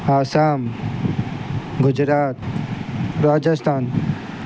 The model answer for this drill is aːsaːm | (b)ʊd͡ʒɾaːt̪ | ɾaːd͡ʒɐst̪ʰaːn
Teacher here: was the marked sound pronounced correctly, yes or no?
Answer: no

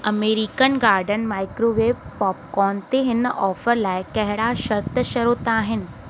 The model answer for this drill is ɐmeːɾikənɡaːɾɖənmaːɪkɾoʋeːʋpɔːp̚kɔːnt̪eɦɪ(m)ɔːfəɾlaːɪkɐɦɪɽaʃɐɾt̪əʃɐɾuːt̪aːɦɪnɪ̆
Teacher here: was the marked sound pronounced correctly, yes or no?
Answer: no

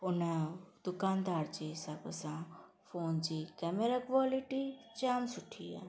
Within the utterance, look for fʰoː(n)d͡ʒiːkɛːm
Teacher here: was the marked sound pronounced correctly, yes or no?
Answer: yes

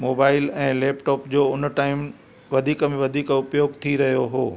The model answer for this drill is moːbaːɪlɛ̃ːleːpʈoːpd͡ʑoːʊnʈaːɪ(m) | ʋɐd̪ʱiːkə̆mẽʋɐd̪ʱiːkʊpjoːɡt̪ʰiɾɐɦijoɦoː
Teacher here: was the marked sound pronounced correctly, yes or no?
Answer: yes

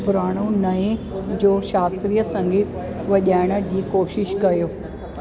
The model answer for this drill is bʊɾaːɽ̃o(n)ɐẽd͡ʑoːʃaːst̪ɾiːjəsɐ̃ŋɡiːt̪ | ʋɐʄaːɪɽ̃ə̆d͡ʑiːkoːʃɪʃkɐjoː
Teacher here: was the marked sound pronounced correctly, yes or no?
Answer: yes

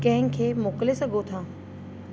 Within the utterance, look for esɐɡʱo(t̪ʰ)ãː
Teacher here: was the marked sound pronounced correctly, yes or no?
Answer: yes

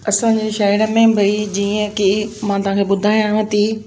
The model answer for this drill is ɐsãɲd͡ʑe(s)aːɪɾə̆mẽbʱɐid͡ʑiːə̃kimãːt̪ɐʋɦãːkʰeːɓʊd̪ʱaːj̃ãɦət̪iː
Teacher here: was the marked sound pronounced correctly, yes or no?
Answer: no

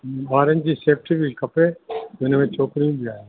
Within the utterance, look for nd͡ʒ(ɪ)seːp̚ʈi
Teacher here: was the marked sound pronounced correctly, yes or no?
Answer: no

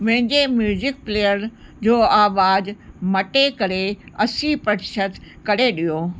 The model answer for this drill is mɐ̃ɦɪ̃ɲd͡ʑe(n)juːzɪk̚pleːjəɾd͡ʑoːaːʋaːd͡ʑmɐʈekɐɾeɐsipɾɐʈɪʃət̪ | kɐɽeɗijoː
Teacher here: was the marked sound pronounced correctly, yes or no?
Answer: no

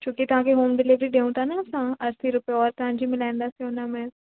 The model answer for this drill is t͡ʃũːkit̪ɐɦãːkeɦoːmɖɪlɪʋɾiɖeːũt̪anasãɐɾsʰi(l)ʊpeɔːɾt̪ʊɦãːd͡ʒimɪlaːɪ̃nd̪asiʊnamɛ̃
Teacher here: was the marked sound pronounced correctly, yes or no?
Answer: no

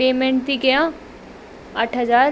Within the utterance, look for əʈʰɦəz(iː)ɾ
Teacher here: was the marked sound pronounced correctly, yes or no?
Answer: no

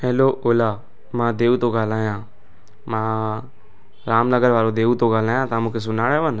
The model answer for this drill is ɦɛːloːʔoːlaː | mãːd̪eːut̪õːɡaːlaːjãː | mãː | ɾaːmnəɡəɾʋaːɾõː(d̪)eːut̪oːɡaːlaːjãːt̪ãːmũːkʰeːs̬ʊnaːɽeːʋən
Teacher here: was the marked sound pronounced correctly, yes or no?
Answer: yes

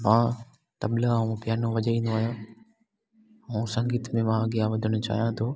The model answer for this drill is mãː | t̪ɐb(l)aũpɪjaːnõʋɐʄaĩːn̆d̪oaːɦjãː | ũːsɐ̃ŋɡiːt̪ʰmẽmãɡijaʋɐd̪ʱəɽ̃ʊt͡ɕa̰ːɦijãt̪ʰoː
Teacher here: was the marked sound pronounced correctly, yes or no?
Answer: yes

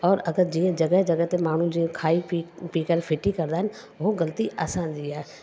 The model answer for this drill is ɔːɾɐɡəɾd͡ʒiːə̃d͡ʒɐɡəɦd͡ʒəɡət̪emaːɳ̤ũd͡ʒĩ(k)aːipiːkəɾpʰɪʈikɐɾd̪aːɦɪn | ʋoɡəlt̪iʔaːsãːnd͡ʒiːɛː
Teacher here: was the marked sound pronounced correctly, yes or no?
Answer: no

